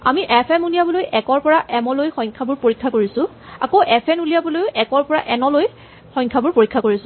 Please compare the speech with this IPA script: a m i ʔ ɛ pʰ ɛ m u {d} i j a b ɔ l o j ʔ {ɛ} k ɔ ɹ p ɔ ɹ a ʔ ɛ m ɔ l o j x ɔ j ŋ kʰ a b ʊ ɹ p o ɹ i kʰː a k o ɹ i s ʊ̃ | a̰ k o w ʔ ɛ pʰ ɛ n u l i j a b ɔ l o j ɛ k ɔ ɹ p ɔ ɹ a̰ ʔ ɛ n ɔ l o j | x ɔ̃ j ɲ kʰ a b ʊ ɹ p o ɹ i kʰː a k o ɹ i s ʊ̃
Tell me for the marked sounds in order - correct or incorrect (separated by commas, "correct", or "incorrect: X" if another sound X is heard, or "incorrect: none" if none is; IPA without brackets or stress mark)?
incorrect: n, correct